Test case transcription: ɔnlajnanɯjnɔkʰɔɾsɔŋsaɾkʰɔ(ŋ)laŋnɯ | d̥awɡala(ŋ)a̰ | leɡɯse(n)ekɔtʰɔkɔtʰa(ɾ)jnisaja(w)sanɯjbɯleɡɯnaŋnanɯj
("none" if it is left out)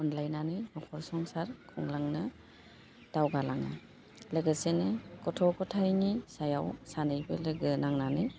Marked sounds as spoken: ŋ, ŋ, n, none, w

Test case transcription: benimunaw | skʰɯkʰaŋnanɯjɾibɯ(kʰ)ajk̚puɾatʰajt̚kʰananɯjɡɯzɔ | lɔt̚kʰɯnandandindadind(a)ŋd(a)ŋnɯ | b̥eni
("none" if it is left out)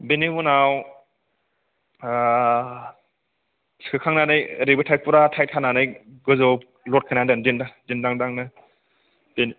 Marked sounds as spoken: tʰ, a, a

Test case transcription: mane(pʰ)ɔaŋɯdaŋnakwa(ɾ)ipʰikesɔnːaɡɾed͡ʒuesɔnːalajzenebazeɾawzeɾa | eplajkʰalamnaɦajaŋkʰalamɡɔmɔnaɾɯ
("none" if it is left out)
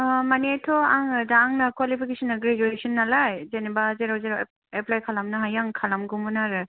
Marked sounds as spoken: tʰ, l

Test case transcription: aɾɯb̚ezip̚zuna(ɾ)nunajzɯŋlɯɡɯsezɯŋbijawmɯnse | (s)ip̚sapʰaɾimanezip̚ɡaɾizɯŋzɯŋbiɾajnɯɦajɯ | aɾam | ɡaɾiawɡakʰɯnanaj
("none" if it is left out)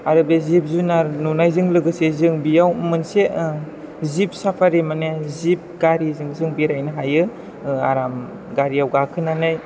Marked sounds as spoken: ɾ, z

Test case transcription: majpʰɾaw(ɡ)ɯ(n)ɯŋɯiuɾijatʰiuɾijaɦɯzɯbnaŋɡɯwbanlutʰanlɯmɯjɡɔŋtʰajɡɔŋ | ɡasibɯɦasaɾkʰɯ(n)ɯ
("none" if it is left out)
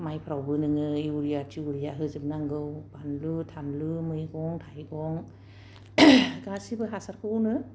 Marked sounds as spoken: b, n, n

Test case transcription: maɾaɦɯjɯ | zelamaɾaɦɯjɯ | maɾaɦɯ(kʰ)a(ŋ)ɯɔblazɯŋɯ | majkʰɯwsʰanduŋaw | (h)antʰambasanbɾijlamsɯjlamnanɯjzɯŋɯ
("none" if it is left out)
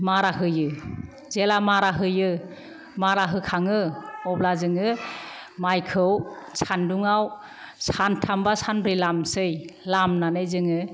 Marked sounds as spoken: kʰ, ŋ, s

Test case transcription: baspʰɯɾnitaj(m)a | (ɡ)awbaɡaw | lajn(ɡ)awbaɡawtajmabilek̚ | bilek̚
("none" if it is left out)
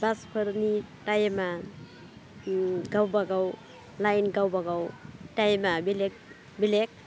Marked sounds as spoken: m, ɡ, ɡ

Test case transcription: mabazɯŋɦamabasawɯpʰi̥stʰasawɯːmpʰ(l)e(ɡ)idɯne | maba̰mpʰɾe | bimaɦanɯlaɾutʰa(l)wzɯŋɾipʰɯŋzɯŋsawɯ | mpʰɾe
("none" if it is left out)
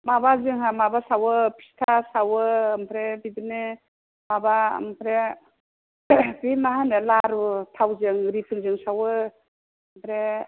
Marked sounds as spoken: ɾ, b, none

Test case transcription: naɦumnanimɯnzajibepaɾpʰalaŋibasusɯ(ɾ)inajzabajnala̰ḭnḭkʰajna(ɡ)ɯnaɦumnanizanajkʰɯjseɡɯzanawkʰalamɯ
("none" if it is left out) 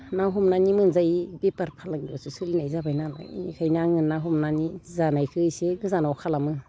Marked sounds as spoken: l, ŋ

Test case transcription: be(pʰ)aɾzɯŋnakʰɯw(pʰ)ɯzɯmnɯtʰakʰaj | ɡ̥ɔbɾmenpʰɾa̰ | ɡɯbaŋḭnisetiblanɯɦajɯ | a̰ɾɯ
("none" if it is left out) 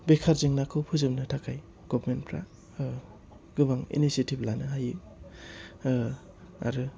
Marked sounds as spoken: kʰ, pʰ

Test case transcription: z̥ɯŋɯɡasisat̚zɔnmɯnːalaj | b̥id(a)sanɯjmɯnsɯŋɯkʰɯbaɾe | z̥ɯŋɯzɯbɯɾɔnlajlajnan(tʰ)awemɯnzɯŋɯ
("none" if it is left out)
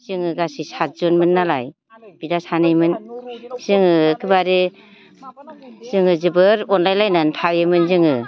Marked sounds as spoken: a, tʰ

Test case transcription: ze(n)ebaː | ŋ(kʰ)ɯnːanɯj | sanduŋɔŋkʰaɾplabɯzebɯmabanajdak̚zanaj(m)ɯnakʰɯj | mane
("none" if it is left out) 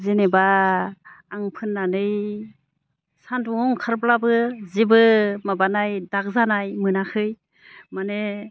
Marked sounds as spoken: n, pʰ, m

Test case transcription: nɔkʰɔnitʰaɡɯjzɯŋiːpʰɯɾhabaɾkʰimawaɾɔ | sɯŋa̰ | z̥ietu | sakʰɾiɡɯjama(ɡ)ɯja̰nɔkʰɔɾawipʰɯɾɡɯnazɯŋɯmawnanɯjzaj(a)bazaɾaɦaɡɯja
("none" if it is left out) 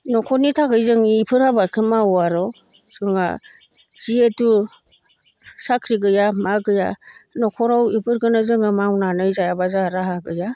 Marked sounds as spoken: ɡ, a

